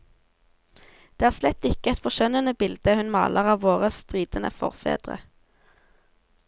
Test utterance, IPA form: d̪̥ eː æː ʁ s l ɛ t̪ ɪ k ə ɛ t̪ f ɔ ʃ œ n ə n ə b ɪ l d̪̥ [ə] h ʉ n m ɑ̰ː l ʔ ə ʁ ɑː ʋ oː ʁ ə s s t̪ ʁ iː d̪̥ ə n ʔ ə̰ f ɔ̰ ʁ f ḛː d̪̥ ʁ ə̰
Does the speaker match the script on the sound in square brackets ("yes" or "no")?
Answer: yes